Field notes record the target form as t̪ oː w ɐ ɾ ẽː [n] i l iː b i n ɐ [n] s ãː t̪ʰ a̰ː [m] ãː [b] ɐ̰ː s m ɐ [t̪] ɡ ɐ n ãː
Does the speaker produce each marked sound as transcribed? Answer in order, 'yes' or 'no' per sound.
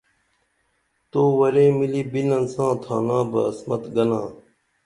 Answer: no, yes, no, yes, yes

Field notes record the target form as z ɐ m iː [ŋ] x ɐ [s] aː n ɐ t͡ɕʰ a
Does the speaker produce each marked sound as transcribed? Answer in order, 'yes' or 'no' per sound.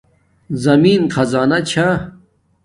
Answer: no, no

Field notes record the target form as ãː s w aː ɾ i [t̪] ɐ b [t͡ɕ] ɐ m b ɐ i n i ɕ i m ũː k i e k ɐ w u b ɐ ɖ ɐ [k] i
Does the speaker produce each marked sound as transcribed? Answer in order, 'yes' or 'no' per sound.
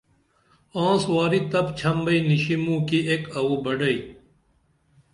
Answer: yes, no, no

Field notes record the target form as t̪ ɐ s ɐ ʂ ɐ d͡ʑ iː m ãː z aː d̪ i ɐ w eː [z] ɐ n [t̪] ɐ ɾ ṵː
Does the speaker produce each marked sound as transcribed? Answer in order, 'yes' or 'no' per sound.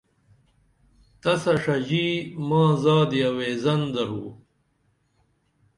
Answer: yes, no

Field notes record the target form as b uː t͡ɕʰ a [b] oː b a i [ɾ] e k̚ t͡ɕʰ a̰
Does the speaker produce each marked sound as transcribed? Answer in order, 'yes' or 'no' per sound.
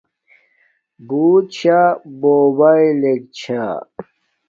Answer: yes, no

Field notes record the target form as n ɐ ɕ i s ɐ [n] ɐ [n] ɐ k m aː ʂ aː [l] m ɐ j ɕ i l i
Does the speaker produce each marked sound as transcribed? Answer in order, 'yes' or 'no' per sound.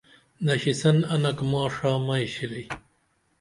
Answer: yes, yes, no

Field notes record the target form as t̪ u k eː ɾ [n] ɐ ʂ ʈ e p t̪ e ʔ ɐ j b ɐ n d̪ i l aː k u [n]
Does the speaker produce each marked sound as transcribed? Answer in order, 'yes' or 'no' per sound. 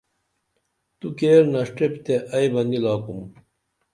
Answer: yes, no

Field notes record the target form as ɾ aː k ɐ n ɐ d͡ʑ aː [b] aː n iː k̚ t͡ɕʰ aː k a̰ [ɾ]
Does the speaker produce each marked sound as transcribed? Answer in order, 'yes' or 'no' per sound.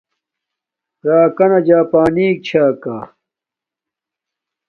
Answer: no, no

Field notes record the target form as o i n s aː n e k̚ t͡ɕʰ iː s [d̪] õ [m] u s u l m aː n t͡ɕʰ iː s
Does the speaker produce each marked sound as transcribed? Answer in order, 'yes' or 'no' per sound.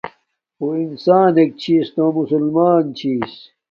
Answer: no, yes

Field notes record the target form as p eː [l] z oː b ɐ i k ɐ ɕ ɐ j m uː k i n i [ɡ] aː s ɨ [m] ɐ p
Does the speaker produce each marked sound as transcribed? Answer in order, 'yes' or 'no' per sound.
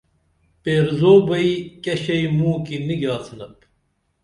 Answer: no, yes, no

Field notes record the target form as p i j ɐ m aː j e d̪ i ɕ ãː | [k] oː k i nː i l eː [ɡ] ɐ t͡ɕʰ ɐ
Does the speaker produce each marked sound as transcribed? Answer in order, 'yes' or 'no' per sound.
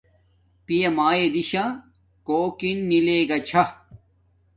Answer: yes, yes

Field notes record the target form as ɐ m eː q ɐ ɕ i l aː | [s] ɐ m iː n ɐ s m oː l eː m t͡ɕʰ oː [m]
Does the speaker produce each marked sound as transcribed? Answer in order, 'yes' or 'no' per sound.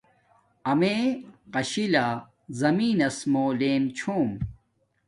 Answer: no, yes

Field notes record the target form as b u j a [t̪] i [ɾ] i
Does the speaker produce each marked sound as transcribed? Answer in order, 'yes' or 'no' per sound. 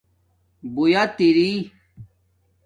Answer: yes, yes

